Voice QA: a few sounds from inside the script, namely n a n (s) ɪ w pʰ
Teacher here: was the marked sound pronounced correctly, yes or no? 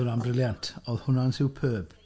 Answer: yes